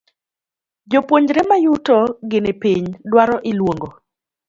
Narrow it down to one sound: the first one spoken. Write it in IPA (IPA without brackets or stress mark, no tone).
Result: d͡ʒ